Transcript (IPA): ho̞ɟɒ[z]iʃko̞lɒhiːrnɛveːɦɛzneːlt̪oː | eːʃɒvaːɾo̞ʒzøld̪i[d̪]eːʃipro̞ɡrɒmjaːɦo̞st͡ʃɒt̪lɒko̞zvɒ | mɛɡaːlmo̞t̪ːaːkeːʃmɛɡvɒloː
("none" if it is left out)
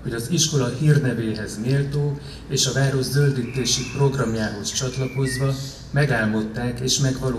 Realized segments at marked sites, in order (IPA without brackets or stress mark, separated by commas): z, t̪